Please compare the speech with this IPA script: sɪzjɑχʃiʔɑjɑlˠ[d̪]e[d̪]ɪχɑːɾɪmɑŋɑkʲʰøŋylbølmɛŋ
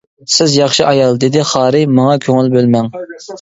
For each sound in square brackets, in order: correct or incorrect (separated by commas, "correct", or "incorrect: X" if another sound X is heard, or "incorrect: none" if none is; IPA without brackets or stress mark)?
correct, correct